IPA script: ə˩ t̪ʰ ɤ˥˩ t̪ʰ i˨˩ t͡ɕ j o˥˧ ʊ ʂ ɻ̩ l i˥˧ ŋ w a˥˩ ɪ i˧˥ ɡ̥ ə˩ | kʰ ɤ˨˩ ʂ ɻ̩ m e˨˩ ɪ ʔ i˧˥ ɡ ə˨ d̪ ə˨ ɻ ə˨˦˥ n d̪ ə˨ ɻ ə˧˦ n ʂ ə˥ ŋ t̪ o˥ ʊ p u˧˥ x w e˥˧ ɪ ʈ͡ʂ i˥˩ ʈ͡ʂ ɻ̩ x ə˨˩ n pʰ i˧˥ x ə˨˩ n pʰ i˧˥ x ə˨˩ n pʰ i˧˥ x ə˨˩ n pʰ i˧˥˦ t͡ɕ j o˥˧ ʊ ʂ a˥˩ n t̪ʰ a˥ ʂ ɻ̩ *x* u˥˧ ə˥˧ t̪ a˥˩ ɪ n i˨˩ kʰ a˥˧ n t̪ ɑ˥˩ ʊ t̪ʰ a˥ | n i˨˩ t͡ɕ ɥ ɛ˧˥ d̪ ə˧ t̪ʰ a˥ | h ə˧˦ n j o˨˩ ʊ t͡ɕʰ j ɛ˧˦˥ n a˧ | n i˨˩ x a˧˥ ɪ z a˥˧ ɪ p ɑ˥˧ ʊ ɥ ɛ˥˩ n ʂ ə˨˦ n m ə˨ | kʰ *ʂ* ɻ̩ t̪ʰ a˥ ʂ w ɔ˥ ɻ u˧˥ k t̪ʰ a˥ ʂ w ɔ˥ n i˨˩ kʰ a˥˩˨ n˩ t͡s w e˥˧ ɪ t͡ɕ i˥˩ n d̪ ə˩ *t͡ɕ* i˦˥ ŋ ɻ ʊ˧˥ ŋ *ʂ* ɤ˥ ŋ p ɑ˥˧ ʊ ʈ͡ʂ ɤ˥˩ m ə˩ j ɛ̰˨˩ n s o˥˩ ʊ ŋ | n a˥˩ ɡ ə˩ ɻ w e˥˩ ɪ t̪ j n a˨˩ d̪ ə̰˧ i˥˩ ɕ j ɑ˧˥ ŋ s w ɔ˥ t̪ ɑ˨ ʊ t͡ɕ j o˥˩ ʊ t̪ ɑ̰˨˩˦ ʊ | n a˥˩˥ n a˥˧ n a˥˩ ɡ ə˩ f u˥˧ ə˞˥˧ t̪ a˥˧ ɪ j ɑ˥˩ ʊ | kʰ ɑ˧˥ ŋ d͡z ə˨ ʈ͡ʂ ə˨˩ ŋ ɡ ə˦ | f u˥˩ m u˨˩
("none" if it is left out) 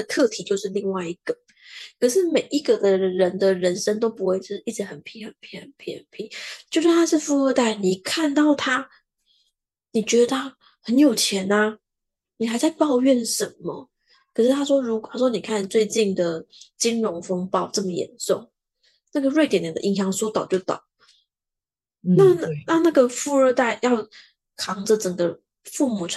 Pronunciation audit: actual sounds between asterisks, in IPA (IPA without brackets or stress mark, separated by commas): f, ʂ, t͡ɕ, f